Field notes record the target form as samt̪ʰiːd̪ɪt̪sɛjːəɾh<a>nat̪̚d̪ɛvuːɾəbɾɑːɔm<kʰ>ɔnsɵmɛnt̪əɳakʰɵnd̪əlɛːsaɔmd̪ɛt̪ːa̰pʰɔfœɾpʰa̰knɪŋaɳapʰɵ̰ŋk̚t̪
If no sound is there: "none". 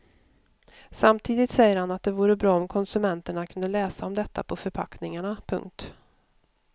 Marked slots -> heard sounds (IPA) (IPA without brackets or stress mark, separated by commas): a, kʰ